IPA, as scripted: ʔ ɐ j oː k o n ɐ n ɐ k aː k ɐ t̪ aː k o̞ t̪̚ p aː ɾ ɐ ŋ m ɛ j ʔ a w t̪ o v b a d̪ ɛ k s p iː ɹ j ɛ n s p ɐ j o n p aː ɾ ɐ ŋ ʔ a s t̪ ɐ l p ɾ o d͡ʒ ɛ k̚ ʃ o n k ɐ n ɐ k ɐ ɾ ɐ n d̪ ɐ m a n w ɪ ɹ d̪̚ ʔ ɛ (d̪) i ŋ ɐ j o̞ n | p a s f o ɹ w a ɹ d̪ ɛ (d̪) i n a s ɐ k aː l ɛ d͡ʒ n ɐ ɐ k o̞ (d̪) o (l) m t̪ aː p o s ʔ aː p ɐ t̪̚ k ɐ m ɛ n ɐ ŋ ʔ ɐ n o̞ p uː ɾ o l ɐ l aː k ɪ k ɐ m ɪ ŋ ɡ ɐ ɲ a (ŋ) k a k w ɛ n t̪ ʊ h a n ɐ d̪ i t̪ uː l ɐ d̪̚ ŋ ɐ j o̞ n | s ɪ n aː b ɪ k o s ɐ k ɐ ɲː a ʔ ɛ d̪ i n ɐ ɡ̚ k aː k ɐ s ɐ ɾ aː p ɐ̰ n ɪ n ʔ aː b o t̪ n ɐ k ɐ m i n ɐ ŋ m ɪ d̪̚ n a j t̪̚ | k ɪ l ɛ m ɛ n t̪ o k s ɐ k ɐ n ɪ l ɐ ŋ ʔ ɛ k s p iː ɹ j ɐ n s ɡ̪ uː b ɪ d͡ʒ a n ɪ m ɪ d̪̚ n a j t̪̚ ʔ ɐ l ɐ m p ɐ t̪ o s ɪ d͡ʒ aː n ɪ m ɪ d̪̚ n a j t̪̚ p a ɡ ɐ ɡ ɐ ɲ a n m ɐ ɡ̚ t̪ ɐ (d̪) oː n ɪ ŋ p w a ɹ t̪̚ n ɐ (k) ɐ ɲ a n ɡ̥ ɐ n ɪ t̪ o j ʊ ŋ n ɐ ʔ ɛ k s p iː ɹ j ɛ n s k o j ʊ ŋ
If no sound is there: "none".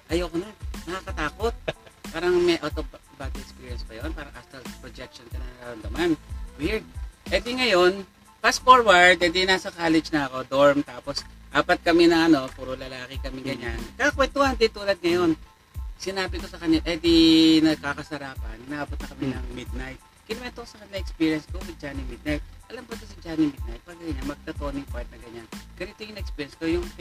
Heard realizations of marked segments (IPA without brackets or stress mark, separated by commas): d̪, d̪, d̪, ɹ, n, t̪, ɡ